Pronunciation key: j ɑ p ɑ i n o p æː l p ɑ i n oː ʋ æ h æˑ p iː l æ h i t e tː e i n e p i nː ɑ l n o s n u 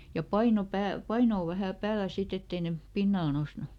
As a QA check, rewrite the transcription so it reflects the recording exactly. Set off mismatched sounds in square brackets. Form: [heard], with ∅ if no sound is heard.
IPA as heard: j ɑ p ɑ i n o p æː l p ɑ i n oː ʋ æ h æˑ p [æː] l æ [s] i t e tː e i n e p i nː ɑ l n o s n u